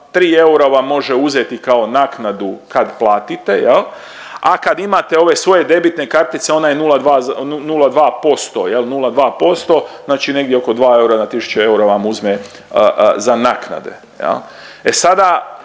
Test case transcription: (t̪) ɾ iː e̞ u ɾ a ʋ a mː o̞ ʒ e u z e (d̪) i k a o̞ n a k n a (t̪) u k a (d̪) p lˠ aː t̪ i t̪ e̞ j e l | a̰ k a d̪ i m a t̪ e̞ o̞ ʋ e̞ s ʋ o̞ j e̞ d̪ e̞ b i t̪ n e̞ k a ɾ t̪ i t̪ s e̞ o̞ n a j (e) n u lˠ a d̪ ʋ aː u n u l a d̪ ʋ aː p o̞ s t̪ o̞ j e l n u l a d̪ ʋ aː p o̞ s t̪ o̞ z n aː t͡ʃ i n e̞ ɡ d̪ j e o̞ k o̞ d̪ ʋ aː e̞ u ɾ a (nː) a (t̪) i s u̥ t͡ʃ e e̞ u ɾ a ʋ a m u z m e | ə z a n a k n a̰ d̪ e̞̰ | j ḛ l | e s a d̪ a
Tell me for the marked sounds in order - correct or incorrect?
correct, incorrect, incorrect, correct, correct, incorrect, correct

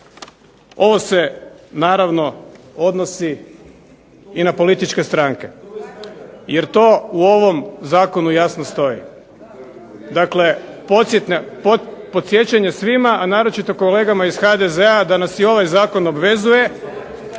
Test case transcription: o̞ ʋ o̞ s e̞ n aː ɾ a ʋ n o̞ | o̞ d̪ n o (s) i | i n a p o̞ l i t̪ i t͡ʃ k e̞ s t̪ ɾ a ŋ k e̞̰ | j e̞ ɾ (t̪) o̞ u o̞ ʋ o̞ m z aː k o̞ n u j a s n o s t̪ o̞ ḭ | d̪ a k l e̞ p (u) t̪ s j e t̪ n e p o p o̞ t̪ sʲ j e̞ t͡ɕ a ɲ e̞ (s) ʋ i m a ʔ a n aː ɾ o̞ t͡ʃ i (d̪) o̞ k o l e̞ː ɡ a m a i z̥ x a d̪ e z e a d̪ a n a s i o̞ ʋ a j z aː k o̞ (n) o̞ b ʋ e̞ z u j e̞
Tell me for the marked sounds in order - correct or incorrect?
correct, correct, incorrect, correct, incorrect, correct

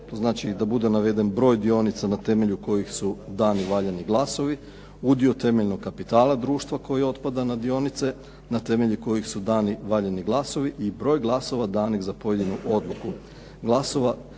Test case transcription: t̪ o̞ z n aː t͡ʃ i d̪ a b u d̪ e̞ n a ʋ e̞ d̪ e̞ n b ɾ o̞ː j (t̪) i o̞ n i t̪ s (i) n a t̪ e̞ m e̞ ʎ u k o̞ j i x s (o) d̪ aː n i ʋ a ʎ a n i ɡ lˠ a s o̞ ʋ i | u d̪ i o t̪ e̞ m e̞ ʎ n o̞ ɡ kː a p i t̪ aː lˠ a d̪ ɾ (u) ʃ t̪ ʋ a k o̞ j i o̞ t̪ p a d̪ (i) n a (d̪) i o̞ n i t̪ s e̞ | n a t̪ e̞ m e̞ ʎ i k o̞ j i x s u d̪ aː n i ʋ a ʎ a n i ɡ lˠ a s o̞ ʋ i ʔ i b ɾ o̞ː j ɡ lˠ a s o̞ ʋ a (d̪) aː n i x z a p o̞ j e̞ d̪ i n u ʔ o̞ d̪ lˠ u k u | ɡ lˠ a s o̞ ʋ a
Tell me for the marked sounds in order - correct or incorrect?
incorrect, incorrect, incorrect, incorrect, incorrect, correct, correct

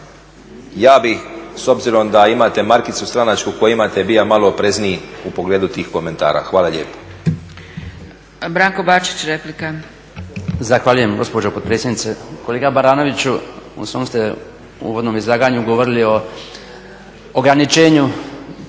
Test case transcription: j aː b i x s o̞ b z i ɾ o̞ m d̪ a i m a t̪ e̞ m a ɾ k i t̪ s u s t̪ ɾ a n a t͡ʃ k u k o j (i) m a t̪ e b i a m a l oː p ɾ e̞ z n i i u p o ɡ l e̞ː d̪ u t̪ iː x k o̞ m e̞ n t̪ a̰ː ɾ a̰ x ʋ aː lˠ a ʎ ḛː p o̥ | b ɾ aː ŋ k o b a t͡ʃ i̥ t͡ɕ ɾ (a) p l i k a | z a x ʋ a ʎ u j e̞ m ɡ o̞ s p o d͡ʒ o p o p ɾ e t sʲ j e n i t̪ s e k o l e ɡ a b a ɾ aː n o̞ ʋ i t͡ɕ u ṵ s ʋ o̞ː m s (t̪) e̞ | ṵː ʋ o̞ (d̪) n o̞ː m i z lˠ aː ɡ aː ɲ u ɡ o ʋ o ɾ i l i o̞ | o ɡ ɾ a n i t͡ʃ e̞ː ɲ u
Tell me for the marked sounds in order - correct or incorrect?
correct, incorrect, correct, correct

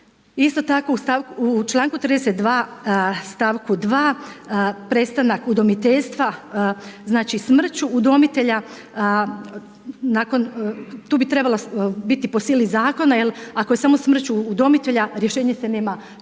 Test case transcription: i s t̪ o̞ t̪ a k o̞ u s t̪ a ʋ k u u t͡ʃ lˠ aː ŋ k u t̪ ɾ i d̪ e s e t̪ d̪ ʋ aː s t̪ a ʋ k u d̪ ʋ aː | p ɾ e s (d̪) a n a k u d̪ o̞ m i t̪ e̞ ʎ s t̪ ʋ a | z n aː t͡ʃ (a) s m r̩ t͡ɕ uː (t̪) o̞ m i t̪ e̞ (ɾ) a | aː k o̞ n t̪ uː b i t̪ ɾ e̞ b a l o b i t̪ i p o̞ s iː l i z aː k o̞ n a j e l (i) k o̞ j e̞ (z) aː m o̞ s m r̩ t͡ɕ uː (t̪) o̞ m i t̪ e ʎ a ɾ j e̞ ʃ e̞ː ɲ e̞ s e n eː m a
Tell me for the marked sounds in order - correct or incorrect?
incorrect, incorrect, incorrect, incorrect, incorrect, incorrect, incorrect

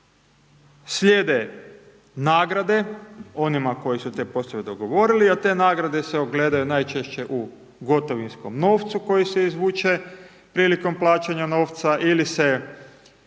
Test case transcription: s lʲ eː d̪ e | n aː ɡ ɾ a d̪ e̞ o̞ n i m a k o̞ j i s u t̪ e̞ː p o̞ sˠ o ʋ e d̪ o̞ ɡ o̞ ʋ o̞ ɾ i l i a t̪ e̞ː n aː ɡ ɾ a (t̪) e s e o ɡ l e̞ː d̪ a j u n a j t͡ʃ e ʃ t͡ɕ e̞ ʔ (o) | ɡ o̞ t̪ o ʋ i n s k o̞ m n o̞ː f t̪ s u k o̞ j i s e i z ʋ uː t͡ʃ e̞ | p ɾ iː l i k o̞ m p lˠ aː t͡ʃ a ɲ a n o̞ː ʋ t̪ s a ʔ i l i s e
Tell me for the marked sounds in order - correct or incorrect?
incorrect, incorrect

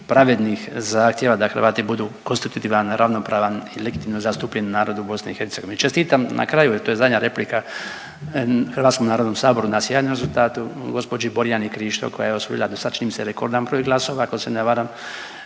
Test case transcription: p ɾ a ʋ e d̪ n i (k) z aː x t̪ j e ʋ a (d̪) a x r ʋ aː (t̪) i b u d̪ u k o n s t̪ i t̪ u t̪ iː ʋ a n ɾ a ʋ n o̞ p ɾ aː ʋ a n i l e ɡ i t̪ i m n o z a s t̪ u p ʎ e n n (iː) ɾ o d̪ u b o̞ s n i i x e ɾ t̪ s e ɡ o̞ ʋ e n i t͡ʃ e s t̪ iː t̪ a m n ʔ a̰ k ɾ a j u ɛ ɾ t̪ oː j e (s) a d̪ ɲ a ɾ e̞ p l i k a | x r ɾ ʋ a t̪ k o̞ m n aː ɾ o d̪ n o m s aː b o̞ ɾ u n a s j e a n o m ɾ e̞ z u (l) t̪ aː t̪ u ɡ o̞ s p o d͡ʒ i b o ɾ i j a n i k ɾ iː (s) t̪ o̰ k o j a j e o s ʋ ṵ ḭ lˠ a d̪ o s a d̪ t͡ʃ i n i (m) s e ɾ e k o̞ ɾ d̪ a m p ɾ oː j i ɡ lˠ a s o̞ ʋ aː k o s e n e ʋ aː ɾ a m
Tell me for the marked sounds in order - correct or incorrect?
incorrect, correct, correct, incorrect, incorrect, correct, incorrect, correct

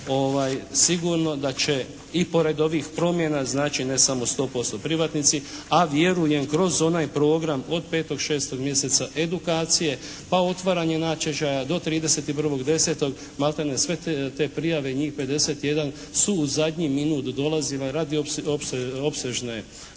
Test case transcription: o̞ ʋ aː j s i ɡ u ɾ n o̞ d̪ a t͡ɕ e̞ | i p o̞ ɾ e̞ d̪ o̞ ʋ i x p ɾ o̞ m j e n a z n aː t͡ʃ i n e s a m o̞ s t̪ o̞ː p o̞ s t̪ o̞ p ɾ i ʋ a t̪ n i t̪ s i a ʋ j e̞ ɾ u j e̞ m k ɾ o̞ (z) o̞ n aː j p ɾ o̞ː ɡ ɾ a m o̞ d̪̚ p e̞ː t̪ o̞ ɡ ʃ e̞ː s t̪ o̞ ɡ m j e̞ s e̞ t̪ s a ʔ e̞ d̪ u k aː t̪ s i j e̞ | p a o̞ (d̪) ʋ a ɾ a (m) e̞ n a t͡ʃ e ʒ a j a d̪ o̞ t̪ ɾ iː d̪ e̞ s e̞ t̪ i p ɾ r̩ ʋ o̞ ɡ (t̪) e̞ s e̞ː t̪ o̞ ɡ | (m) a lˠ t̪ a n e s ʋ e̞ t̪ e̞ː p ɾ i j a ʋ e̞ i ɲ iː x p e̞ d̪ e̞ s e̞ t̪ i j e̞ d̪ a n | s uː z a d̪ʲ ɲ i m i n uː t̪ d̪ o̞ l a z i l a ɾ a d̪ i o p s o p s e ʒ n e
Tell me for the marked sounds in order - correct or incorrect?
correct, incorrect, incorrect, incorrect, correct

